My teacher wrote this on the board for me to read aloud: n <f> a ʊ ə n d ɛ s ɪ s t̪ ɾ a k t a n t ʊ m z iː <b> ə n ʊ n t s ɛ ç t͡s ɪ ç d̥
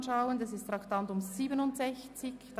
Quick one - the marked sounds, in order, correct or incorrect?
incorrect, correct

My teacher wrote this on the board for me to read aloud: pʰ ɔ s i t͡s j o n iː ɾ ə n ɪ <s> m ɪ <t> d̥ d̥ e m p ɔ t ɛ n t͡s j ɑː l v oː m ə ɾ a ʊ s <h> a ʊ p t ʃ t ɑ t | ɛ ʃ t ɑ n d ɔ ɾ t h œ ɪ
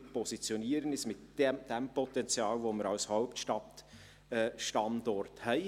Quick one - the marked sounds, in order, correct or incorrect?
correct, correct, correct

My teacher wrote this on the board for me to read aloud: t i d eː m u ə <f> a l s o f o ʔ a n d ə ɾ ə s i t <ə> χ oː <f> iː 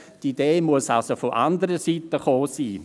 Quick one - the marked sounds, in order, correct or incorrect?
incorrect, correct, incorrect

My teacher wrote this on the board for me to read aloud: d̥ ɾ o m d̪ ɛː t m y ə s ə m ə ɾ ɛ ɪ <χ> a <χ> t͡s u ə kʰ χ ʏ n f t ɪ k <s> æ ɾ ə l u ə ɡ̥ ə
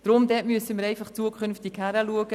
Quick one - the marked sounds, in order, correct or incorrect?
incorrect, correct, incorrect

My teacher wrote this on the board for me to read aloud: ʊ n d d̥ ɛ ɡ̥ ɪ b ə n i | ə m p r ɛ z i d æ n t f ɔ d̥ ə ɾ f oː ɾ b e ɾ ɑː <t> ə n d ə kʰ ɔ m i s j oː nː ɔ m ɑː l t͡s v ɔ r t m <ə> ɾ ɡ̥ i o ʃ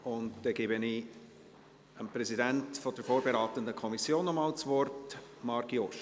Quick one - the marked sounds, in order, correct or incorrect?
correct, incorrect

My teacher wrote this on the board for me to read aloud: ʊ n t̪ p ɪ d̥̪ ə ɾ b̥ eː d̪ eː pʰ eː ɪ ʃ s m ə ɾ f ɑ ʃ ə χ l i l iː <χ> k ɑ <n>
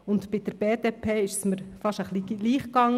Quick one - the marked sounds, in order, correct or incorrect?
correct, incorrect

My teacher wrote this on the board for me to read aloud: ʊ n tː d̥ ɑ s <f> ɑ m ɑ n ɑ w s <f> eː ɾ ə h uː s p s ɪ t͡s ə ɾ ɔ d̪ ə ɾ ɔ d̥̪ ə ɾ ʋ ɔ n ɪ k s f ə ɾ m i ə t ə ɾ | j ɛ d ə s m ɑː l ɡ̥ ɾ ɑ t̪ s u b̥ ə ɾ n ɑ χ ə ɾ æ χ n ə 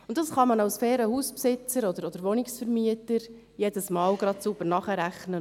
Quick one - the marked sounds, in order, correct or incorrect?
incorrect, correct

